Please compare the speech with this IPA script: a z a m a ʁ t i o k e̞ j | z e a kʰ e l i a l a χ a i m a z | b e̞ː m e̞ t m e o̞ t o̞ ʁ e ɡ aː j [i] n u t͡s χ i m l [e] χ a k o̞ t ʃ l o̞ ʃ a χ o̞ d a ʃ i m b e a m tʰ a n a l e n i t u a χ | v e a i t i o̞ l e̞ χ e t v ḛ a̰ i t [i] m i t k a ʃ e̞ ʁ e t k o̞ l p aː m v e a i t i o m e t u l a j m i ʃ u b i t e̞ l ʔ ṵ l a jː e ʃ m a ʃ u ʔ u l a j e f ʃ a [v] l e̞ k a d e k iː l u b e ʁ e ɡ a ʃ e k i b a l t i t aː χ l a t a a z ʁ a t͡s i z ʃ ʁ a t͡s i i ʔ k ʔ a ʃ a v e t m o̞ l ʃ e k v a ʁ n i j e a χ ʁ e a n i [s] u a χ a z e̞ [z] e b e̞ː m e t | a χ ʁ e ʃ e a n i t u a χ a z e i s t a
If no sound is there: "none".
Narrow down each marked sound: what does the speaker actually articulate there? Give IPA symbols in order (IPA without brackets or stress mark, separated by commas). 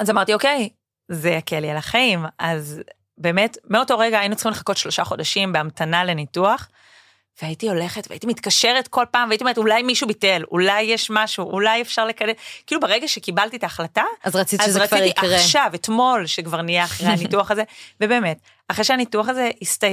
i, e, i, ʁ, t, v